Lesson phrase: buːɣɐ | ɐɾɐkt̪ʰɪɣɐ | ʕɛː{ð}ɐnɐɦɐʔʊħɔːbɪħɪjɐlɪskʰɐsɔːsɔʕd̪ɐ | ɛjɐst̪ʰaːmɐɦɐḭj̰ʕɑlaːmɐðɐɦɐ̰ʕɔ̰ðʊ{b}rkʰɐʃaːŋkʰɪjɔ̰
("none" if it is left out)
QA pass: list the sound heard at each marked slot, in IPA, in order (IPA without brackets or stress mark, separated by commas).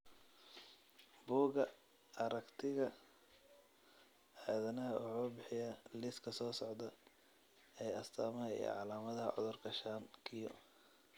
ð, none